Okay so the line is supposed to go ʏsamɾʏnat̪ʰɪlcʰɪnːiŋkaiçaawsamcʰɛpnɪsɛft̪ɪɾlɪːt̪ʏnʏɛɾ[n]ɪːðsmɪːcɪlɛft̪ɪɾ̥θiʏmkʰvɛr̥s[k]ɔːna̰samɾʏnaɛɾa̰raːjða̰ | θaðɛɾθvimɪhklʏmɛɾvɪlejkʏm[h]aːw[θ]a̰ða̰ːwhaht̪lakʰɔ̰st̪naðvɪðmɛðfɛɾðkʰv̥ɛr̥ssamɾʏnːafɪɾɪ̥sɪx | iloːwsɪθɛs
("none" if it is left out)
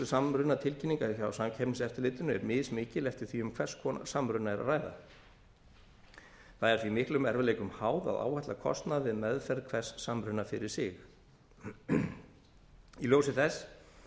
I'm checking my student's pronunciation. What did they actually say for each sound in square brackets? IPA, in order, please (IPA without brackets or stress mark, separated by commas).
m, kʰ, h, ð